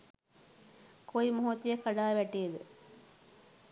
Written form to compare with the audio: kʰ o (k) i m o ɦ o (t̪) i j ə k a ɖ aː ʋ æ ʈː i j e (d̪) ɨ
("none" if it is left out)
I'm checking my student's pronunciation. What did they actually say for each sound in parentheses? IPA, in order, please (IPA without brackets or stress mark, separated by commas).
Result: none, t̪, d̪